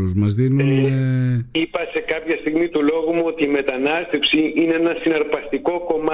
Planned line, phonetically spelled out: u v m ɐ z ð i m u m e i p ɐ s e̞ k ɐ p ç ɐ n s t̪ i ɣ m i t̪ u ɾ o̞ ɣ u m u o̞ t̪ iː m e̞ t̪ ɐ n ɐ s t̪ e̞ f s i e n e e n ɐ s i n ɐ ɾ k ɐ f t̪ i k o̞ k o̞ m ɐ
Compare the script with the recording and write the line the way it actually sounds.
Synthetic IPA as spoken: u z m ɐ z ð i n u n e i p ɐ s e̞ k ɐ p ç ɐ s t̪ i ɣ m i t̪ u l o̞ ɣ u m u o̞ t̪ iː m e̞ t̪ ɐ n ɐ s t̪ e̞ f s i i n e e n ɐ s i n ɐ ɾ p ɐ s t̪ i k o̞ k o̞ m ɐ